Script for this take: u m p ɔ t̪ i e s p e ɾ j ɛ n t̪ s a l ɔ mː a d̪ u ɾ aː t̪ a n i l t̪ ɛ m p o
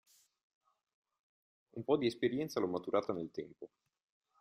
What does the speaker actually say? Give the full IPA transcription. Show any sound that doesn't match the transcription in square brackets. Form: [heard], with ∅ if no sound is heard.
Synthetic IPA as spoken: u m p ɔ [d̪] i e s p e ɾ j ɛ n t̪ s a l ɔ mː a [t̪] u ɾ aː t̪ a n [e] l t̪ ɛ m p o